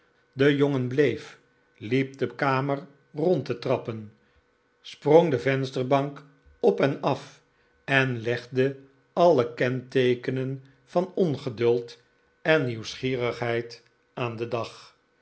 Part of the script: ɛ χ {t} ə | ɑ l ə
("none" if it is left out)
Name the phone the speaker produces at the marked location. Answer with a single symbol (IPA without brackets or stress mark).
d